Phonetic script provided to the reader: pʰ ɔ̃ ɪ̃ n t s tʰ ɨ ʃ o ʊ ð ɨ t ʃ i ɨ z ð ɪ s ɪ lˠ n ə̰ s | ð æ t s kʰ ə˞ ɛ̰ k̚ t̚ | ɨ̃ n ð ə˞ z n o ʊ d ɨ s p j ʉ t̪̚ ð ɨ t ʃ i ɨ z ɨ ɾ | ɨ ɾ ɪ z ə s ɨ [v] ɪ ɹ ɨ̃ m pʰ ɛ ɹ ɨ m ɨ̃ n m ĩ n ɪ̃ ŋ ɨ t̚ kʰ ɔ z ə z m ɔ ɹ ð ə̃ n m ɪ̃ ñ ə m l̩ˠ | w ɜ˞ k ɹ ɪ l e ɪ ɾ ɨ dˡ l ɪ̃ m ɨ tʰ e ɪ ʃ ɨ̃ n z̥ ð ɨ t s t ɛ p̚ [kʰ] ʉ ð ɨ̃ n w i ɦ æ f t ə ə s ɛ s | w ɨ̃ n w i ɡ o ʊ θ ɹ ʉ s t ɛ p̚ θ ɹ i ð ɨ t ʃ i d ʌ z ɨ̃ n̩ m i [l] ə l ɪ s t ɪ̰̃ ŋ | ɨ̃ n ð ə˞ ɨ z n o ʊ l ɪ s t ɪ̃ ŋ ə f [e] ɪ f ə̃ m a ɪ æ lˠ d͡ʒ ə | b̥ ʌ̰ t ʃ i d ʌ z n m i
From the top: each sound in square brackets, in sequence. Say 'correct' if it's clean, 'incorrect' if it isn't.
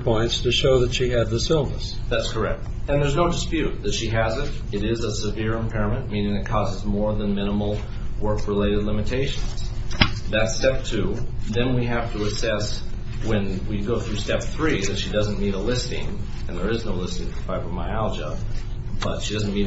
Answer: correct, incorrect: tʰ, incorrect: ɾ, incorrect: a

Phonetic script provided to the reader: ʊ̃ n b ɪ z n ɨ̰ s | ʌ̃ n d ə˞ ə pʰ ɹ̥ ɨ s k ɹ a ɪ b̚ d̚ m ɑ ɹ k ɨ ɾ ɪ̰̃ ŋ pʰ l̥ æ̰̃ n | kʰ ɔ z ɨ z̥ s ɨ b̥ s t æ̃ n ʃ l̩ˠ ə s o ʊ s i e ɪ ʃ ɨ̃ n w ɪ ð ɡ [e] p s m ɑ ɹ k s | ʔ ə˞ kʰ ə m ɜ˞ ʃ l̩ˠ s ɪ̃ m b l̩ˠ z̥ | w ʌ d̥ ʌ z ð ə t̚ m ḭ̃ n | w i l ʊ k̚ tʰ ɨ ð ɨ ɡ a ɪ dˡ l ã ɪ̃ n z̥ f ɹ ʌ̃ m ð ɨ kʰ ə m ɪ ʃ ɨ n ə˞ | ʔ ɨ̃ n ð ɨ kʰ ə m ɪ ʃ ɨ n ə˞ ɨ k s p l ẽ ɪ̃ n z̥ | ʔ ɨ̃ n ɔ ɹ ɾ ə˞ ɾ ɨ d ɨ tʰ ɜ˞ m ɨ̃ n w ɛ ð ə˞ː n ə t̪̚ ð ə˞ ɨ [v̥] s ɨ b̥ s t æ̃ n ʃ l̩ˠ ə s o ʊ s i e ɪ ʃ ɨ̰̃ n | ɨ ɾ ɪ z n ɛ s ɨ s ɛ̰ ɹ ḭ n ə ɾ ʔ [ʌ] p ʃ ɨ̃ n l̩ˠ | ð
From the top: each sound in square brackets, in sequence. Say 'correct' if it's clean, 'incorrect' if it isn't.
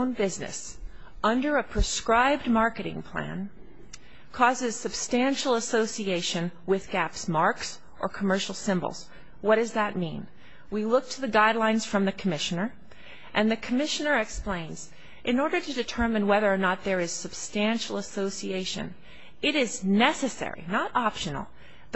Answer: incorrect: æ, incorrect: z̥, incorrect: ɑ

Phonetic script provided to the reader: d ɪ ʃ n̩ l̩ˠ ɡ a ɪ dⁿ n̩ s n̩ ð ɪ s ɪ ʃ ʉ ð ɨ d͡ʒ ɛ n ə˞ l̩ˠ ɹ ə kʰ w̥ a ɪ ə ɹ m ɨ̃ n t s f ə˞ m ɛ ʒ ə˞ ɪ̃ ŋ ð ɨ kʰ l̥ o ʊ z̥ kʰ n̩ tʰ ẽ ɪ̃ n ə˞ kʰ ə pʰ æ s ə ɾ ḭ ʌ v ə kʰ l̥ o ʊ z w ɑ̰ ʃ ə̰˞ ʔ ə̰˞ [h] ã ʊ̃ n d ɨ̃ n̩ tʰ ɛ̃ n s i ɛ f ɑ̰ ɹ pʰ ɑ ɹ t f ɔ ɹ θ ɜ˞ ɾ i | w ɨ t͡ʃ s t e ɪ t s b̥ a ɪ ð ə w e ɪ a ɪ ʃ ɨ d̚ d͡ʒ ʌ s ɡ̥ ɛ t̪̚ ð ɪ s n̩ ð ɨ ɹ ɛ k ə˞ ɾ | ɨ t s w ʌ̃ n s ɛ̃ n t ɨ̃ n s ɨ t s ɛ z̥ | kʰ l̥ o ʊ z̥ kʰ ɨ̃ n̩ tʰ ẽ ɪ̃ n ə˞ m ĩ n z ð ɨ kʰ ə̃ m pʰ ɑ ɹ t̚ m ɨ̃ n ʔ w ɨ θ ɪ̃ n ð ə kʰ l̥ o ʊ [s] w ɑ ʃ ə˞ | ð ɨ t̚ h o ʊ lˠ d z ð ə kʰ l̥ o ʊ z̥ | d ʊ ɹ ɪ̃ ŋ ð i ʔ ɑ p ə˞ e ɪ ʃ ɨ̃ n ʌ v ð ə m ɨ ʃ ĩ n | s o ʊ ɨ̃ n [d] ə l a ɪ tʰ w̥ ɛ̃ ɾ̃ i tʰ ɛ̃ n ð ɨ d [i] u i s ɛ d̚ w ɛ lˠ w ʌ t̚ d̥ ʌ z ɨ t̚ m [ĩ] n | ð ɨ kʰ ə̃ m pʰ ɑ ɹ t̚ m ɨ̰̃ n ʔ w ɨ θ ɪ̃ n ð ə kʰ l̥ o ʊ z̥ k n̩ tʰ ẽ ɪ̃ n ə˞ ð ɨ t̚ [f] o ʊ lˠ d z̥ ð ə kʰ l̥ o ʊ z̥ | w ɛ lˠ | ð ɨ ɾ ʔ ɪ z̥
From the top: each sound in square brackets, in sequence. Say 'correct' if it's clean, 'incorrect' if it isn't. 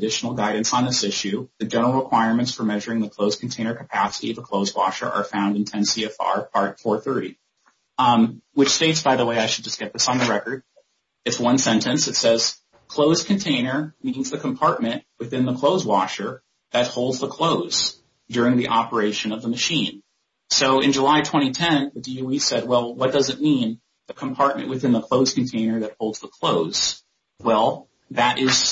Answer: incorrect: f, incorrect: z, incorrect: d͡ʒ, correct, correct, incorrect: h

